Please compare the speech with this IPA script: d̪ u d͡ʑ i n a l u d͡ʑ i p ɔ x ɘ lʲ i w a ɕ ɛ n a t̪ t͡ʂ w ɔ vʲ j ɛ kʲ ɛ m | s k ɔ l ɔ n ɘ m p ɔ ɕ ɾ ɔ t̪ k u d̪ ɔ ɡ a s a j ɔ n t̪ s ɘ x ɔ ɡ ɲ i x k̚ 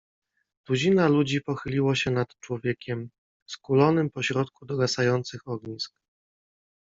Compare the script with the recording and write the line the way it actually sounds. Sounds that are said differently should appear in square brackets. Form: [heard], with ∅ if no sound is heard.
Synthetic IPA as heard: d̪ u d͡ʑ i n a l u d͡ʑ i p ɔ x ɘ lʲ i w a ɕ ɛ n a t̪ t͡ʂ w ɔ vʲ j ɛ kʲ ɛ m | s k [u] l ɔ n ɘ m p ɔ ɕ ɾ ɔ t̪ k u d̪ ɔ ɡ a s a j ɔ n t̪ s ɘ x ɔ ɡ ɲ i [s] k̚